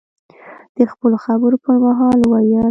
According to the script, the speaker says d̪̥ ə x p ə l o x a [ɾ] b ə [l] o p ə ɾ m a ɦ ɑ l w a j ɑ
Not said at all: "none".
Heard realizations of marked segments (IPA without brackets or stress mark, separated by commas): none, ɾ